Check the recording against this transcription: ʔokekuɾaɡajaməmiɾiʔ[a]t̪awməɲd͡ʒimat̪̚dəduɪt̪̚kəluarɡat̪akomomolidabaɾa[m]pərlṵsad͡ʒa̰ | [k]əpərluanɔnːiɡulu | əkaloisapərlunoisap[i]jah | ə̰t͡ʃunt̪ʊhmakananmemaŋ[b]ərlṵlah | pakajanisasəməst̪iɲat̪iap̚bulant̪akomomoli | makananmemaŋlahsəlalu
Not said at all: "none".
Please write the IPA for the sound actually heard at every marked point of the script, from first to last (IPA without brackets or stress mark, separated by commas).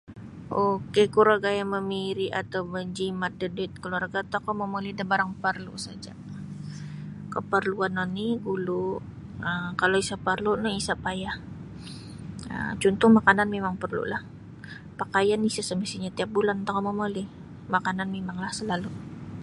a, ŋ, k, a, p